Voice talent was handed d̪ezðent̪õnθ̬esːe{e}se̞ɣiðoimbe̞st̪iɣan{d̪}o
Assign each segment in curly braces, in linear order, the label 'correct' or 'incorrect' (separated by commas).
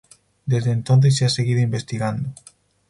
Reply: incorrect, correct